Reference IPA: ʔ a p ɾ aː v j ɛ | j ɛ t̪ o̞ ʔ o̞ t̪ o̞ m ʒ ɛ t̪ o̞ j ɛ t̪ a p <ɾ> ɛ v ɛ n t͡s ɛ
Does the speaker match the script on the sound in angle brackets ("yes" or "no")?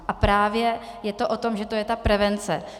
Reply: yes